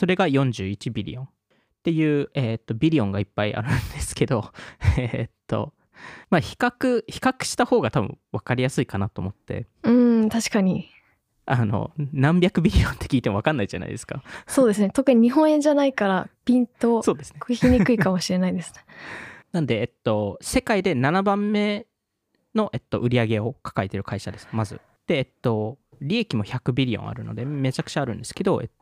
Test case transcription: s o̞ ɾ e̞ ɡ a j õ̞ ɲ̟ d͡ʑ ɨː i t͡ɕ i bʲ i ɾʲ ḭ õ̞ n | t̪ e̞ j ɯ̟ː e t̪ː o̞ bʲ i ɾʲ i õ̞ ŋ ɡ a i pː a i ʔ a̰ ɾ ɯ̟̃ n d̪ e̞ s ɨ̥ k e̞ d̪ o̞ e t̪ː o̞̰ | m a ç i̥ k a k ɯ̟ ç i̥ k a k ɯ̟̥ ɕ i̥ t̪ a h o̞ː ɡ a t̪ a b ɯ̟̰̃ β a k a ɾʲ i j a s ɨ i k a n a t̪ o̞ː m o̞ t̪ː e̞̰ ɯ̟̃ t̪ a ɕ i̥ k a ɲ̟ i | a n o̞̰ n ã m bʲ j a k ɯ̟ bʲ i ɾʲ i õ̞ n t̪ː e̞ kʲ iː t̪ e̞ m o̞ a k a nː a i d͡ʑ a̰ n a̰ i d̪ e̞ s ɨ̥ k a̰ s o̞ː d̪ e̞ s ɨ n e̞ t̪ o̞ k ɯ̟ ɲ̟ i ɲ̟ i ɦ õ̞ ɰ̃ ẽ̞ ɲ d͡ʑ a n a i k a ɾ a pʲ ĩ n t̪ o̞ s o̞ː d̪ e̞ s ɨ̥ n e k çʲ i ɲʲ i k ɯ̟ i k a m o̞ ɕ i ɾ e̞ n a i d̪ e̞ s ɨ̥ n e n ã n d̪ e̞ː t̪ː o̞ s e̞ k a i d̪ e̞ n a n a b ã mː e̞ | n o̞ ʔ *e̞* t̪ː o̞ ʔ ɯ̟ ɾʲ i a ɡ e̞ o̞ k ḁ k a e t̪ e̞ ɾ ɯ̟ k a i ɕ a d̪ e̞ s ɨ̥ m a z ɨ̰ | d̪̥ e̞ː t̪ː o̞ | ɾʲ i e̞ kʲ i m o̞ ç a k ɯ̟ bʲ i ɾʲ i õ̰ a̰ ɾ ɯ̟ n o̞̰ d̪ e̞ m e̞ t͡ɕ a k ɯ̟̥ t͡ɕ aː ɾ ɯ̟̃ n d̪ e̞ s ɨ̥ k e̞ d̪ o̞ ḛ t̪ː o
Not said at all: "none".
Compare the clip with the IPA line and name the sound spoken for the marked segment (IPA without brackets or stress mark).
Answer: e̞